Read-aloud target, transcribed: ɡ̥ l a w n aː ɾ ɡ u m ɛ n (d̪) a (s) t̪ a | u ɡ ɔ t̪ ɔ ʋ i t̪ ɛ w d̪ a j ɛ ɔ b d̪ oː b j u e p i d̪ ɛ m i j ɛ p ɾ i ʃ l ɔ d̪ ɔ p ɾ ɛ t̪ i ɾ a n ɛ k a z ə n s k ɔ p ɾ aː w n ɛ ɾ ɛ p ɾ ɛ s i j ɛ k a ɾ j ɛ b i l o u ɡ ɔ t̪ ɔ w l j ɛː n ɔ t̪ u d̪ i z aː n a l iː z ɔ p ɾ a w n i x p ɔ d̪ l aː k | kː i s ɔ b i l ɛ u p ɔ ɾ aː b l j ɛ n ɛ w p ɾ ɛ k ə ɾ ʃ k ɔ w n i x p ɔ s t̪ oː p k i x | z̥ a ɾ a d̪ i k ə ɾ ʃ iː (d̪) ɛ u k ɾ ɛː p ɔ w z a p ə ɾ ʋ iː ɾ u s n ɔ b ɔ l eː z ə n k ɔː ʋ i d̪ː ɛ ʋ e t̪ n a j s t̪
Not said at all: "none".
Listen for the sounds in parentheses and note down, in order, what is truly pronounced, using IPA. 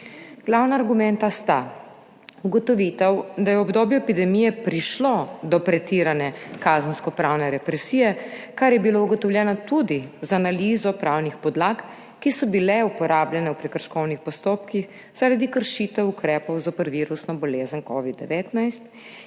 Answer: t̪, s, t̪

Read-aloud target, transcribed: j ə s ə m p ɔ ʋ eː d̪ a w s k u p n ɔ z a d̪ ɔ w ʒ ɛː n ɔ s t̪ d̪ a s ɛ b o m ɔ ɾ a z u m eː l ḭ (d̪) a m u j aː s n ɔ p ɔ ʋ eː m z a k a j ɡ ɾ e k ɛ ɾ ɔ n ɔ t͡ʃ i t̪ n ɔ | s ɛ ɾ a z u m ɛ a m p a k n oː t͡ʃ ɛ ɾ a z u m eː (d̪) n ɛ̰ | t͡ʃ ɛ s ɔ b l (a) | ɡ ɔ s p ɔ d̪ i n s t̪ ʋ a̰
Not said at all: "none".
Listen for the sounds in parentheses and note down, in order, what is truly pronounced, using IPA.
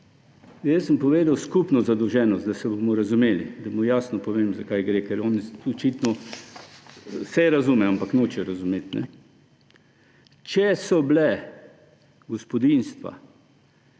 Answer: d̪, t̪, ɛ

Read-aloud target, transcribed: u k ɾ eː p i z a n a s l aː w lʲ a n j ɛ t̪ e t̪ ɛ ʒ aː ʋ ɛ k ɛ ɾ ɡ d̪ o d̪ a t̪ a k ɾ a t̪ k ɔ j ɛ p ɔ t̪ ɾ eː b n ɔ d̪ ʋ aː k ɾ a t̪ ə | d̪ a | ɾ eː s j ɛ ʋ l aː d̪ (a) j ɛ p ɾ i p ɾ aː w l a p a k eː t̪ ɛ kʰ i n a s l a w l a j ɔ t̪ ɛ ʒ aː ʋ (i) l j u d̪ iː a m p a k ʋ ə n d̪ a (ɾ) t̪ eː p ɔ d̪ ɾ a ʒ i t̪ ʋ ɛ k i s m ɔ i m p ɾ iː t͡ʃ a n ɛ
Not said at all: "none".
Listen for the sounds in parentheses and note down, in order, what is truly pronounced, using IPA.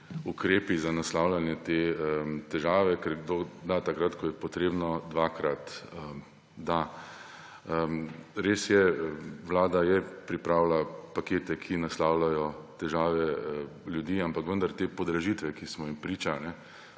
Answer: a, ɛ, ɾ

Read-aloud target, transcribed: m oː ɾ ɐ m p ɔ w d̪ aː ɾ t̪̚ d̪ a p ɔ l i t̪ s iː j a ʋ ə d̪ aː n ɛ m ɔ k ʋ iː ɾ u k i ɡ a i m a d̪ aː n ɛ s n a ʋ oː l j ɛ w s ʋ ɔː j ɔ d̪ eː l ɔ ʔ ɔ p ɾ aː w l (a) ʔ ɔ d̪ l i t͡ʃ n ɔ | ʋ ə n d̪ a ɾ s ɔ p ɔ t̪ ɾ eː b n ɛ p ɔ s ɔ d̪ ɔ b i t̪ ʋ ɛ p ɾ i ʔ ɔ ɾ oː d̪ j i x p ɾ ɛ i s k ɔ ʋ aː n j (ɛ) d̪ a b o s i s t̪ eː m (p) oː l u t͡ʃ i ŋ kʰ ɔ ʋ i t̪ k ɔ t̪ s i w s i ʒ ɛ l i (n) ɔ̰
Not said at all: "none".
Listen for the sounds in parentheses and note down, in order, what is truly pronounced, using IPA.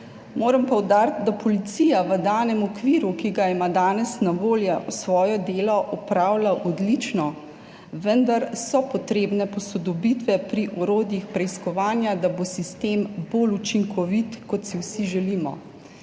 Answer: a, a, b, m

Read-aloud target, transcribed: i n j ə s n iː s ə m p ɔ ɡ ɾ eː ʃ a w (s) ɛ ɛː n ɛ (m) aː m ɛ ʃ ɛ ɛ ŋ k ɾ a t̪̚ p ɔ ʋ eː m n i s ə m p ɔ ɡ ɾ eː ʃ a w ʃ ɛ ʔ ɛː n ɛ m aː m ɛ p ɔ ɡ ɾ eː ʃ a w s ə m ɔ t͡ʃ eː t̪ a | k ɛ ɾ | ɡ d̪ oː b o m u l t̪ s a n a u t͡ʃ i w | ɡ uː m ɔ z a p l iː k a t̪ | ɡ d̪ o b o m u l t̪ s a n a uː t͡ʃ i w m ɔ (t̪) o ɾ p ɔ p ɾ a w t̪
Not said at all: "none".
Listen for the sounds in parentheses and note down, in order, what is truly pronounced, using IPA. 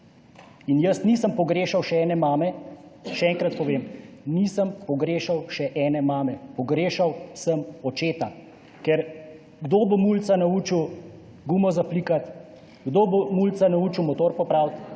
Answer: ʃ, m, t̪

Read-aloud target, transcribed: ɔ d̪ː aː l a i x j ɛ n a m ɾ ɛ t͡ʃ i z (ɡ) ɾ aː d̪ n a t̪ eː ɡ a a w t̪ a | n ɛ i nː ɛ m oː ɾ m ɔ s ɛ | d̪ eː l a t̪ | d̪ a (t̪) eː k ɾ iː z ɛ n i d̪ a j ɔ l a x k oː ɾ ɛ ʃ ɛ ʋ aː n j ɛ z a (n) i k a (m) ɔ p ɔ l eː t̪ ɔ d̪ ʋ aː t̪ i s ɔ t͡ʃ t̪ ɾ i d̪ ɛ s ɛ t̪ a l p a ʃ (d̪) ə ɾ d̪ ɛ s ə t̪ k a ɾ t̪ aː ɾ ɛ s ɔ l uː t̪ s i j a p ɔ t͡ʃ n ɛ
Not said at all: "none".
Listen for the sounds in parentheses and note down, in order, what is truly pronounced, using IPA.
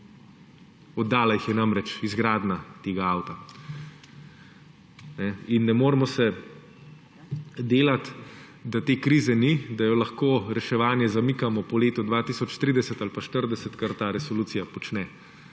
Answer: ɡ, t̪, m, m, t̪

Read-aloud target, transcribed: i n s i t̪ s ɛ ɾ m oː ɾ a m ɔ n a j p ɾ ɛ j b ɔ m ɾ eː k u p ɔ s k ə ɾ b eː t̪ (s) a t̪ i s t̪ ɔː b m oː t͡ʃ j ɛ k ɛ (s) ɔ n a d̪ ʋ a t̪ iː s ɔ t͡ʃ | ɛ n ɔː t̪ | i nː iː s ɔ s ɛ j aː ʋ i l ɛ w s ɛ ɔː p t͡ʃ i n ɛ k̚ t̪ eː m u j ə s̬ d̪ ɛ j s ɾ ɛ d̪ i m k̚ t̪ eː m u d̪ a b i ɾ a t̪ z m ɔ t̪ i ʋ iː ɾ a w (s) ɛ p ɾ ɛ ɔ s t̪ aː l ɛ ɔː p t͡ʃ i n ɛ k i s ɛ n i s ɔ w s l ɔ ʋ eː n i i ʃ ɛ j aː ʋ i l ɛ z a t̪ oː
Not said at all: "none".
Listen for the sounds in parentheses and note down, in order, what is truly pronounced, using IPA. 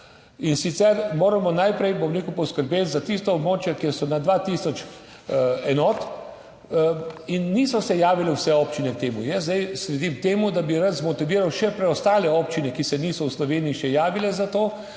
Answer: z, s, ʃ

